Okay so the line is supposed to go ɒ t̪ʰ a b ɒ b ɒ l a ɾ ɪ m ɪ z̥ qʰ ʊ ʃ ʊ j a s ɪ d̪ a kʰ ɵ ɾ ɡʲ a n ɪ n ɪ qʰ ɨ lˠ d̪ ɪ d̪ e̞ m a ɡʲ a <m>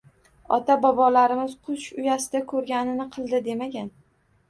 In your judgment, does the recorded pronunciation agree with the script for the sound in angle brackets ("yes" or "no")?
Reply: no